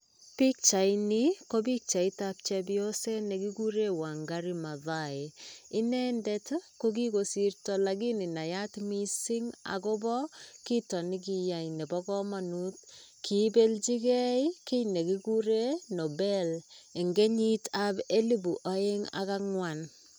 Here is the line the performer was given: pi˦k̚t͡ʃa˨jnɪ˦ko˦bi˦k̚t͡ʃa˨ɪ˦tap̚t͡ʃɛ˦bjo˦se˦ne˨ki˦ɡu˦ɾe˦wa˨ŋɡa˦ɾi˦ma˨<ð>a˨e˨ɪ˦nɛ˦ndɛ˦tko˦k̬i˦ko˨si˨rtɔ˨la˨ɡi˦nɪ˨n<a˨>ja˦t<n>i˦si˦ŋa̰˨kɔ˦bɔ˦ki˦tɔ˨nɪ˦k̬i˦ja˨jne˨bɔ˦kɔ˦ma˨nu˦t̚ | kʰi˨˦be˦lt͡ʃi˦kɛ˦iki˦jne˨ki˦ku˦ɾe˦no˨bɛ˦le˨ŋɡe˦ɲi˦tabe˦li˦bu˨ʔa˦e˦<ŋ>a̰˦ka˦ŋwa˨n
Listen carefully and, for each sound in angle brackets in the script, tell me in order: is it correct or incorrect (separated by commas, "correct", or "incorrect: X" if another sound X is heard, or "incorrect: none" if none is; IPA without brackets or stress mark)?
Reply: correct, correct, incorrect: m, correct